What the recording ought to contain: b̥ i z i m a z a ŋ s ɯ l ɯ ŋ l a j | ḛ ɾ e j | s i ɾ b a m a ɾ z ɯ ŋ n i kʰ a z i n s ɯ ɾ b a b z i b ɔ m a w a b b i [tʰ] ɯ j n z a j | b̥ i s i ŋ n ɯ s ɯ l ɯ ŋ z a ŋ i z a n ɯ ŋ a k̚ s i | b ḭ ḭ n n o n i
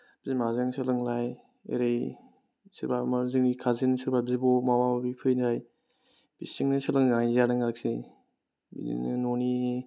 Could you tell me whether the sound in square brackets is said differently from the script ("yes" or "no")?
yes